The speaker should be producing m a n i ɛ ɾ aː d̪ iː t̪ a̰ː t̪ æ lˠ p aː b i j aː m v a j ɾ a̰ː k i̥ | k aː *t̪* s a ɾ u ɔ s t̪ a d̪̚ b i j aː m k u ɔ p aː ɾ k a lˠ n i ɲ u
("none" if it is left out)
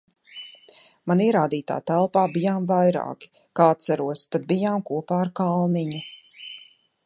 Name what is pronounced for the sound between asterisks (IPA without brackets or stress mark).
t̪